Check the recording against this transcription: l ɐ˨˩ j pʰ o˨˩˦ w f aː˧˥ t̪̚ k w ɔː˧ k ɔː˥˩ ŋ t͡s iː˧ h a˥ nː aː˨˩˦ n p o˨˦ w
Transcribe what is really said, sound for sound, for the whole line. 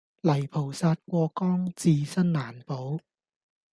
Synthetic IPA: l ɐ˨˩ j pʰ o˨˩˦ w s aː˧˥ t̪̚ k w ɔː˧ k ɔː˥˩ ŋ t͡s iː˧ s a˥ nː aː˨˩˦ n p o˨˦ w

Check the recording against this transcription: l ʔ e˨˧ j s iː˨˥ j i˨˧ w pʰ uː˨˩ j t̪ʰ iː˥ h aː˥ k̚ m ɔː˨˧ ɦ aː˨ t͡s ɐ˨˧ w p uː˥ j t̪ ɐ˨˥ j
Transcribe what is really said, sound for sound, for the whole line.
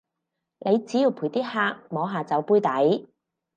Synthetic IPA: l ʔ e˨˧ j t͡s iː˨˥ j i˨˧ w pʰ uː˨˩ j t̪ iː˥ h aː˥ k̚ m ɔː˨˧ ɦ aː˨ t͡s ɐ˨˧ w p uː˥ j t̪ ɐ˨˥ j

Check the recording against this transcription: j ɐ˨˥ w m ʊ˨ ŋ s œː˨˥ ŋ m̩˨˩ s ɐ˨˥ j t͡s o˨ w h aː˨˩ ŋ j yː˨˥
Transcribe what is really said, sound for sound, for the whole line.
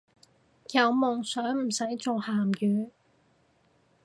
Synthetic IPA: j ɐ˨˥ w m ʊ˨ ŋ s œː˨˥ ŋ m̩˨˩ s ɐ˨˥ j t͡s o˨ w h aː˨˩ m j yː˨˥

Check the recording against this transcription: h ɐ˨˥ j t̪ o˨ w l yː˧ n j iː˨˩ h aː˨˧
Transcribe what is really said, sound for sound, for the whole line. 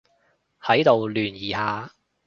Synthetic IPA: h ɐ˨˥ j t̪ o˨ w l yː˨˩ n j iː˨˩ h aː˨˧

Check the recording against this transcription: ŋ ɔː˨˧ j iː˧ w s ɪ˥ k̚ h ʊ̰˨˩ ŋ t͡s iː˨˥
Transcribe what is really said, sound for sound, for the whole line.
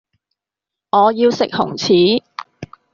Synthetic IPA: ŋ ɔː˨˧ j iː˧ w s ɪ˨ k̚ h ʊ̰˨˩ ŋ t͡sʰ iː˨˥

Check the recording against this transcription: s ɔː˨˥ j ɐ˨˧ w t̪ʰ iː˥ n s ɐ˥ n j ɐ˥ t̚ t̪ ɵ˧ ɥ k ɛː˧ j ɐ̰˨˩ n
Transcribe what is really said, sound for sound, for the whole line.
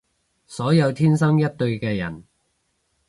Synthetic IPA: s ɔː˨˥ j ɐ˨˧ w t̪ʰ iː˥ n s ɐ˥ ŋ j ɐ˥ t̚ t̪ ɵ˧ ɥ k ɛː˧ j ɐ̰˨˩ n

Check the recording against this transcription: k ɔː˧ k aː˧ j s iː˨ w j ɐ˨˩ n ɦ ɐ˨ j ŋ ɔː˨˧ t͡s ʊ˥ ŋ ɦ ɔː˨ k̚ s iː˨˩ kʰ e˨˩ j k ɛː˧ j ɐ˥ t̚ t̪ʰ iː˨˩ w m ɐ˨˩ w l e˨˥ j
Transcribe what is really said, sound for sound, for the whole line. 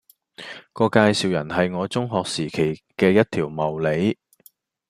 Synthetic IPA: k ɔː˧ k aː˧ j s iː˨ w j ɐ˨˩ n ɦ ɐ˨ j ŋ ɔː˨˧ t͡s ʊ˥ ŋ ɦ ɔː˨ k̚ s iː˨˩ kʰ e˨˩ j k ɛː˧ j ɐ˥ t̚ t̪ʰ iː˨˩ w m ɐ˨˩ w l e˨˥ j

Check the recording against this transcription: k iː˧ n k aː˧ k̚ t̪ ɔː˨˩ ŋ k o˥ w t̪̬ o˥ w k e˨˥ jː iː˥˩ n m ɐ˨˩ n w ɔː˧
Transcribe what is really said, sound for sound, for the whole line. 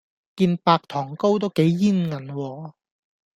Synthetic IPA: k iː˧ n p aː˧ k̚ t̪ʰ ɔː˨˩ ŋ k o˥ w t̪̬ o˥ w k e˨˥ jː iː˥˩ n ŋ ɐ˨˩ n w ɔː˧

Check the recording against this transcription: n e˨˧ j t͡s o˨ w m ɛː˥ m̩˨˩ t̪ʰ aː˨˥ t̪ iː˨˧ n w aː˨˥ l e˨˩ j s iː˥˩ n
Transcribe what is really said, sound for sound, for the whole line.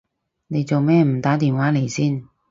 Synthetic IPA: n e˨˧ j t͡s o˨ w m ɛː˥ m̩˨˩ t̪ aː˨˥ t̪ iː˨˧ n w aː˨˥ l e˨˩ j s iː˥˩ n

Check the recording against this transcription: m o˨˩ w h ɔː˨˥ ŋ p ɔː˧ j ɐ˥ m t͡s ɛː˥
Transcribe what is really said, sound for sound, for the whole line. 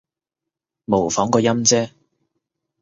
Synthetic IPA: m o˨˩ w f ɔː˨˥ ŋ k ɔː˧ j ɐ˥ m t͡s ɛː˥

